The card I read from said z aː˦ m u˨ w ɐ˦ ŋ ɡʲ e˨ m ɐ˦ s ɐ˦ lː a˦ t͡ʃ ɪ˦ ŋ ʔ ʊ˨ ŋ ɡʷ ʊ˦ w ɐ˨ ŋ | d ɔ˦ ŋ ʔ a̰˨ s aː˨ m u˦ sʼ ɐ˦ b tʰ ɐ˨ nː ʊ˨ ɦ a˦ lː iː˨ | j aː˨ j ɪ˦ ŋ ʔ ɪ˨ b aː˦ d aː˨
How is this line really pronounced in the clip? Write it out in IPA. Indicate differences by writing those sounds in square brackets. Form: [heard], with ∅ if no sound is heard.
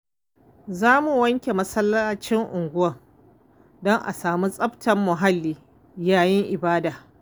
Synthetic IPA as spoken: z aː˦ m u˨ w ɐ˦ ŋ [kʲ] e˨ m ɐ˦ s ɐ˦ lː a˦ t͡ʃ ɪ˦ ŋ ʔ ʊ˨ ŋ ɡʷ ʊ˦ w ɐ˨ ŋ | d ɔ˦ ŋ ʔ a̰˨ s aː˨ m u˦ sʼ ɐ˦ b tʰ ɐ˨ [mː] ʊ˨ ɦ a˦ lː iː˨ | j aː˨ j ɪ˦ ŋ ʔ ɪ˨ b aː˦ d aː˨